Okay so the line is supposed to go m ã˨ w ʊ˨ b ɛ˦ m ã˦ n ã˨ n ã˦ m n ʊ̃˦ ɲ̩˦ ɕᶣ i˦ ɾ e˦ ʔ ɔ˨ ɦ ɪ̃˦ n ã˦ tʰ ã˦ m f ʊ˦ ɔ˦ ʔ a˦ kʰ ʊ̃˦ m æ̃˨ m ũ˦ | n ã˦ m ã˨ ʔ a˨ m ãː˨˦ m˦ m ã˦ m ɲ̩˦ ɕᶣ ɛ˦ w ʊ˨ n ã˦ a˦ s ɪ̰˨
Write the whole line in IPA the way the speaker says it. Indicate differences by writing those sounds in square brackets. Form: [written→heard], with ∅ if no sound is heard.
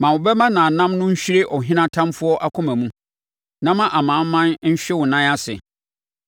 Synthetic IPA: m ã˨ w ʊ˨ b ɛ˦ m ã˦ n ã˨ n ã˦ m n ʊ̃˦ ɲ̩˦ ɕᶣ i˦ ɾ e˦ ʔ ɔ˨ ɦ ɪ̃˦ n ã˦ tʰ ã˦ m f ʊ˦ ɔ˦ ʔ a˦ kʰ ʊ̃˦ m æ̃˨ m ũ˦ | n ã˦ m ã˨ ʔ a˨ m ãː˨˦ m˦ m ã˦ [m→n] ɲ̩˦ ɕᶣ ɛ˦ w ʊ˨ n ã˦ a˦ s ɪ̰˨

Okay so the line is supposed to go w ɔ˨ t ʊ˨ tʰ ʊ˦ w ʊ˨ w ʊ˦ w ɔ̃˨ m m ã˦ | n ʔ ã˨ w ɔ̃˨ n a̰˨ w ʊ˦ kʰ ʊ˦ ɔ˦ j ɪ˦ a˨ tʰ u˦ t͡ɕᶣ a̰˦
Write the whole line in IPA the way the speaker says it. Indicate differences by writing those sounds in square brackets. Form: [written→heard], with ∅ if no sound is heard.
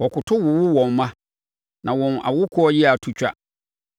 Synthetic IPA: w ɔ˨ [t→k] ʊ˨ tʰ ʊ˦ w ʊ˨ w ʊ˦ w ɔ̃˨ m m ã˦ | n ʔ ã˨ w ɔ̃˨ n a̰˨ w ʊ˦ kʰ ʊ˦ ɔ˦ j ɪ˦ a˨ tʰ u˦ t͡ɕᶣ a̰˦

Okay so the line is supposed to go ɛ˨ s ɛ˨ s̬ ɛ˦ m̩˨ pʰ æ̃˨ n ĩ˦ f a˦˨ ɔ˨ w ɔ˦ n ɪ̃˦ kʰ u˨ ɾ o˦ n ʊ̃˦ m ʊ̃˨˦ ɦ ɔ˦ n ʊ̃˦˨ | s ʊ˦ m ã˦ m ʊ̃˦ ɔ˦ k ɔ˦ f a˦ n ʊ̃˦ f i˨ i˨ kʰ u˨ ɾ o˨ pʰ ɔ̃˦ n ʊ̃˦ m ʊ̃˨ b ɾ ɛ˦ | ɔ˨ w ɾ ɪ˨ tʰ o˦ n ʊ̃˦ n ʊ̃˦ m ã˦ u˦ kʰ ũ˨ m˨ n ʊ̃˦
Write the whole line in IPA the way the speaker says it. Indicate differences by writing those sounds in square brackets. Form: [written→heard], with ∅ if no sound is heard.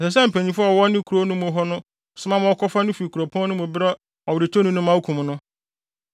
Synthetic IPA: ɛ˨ s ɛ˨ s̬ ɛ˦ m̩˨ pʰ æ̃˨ [n→ɲ] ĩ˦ f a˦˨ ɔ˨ w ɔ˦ n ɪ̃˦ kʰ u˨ ɾ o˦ n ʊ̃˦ m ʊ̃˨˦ ɦ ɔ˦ n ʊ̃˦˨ | s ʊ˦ m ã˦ m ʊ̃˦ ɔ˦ k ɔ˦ f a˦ n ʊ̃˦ f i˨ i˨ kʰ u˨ ɾ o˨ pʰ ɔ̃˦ n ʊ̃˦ m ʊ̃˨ b ɾ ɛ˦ | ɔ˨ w ɾ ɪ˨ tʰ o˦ n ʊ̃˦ n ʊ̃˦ m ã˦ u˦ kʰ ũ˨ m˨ n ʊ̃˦

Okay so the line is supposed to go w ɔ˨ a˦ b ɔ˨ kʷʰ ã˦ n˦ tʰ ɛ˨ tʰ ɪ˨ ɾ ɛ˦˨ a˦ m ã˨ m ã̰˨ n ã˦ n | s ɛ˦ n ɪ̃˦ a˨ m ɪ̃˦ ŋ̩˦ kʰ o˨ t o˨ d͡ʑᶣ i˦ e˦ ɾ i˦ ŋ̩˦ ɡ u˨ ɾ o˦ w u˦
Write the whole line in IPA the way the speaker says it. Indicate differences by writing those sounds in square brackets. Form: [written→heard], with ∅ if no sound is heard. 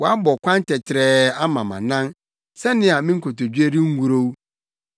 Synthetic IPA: w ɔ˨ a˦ b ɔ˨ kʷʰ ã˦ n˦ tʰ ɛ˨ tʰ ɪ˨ ɾ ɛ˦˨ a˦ m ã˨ m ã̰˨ n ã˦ n | s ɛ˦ n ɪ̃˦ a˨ m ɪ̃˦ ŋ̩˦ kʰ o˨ t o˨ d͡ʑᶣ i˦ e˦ ɾ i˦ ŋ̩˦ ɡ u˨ ɾ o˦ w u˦

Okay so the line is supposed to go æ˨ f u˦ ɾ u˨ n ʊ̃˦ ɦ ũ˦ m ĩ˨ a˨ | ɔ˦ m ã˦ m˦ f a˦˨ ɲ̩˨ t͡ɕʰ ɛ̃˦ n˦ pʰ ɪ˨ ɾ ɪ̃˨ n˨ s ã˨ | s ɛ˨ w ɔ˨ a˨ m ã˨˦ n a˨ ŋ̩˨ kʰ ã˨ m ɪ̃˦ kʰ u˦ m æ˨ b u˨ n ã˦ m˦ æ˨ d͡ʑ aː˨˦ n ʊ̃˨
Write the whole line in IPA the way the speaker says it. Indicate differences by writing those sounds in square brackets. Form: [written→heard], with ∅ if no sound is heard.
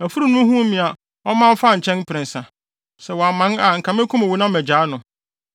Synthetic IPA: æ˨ f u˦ ɾ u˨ n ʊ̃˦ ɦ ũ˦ m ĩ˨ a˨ | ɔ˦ m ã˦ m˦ f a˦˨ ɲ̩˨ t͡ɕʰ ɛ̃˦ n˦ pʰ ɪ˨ ɾ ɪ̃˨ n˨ s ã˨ | s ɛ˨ w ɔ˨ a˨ m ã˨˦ n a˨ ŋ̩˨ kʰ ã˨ m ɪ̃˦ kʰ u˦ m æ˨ [b→w] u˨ n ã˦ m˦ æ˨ d͡ʑ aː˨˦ n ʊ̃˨

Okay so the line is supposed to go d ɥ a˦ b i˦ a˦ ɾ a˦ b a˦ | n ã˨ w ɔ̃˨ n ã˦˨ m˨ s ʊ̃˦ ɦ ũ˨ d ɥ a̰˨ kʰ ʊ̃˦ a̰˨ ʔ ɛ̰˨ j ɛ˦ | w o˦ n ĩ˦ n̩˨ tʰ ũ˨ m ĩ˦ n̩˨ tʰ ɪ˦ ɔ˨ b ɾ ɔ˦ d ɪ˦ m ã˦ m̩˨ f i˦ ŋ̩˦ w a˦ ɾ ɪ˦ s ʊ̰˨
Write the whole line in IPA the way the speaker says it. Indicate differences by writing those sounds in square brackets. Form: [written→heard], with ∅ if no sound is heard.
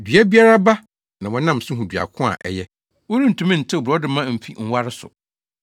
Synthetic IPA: d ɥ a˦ b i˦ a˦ ɾ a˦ b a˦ | n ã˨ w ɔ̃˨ n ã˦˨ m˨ s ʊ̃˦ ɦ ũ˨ d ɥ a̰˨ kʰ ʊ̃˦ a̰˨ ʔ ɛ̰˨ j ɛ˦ | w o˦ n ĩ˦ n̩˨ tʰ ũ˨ m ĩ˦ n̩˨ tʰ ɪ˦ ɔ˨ b ɾ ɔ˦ d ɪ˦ m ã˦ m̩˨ f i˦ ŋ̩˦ w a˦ ɾ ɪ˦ s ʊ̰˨

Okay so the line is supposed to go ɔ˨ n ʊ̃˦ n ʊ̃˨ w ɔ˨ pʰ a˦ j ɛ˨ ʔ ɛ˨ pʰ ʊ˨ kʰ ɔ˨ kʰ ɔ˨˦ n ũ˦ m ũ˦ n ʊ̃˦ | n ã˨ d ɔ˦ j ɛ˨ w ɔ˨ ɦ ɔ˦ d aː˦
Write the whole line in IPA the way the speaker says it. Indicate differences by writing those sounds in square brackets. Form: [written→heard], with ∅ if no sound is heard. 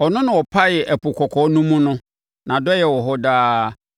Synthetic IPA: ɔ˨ n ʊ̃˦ n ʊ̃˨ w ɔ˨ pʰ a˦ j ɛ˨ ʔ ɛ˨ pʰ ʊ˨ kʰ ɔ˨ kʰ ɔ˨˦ n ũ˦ m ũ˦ n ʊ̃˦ | n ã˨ d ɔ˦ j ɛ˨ w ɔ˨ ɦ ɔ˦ d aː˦

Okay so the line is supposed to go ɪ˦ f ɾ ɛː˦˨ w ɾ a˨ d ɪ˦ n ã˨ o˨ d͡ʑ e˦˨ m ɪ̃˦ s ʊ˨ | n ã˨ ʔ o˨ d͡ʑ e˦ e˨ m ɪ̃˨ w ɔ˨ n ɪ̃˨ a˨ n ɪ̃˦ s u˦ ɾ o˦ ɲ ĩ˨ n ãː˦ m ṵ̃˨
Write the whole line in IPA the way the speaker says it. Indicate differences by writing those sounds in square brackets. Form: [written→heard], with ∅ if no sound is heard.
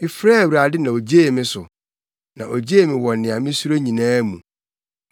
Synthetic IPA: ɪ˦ f ɾ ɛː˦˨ w ɾ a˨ d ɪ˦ n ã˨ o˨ d͡ʑ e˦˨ m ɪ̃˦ s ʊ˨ | n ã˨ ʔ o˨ d͡ʑ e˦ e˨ m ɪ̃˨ w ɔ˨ n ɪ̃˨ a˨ [n→m] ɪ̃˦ s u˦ ɾ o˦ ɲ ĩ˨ n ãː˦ m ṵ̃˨

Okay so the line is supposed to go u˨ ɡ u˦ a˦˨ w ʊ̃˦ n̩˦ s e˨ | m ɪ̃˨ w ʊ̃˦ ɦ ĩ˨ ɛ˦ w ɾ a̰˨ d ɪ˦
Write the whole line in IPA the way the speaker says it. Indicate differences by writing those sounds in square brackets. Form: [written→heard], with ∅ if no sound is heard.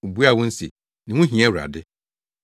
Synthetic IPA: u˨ [ɡ→b] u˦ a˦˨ w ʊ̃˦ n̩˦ s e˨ | [m→n] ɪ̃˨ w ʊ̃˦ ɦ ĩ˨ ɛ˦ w ɾ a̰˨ d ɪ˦

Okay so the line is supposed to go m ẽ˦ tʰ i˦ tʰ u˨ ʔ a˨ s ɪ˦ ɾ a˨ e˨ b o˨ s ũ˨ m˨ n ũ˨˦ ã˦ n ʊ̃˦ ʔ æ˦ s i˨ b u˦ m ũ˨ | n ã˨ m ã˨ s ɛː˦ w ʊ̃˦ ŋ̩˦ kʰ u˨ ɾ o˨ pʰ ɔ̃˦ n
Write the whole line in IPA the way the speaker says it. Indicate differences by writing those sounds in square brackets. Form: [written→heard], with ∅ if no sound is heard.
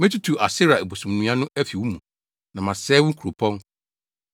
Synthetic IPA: m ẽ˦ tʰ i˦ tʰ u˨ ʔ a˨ s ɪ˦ ɾ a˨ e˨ b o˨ s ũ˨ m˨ n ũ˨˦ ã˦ n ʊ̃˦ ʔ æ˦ [s→f] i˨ [b→w] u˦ m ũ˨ | n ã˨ m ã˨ s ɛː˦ w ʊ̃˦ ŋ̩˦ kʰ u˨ ɾ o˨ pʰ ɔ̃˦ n

